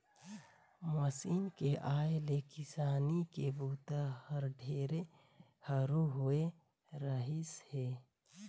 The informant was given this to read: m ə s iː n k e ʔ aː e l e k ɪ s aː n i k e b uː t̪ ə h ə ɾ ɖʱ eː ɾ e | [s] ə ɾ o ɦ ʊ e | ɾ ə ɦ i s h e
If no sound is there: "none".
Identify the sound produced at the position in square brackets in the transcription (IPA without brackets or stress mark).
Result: h